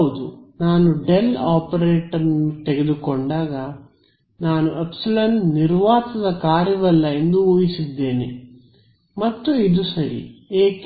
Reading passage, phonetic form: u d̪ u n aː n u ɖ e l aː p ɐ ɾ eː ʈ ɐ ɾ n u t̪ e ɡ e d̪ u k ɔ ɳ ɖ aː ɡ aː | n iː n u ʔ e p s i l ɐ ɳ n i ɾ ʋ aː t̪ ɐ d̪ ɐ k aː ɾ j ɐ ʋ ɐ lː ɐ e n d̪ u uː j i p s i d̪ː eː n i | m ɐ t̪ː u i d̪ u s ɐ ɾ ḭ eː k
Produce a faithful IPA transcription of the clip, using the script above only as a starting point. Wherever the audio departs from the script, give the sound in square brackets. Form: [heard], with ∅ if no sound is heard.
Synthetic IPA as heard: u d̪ u n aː n u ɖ e l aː p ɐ ɾ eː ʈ ɐ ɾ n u t̪ e ɡ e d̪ u k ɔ ɳ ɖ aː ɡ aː | n [aː] n u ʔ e p s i l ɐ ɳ n i ɾ ʋ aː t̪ ɐ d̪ ɐ k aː ɾ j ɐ ʋ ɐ lː ɐ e n d̪ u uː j i [∅] s i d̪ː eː n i | m ɐ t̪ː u i d̪ u s ɐ ɾ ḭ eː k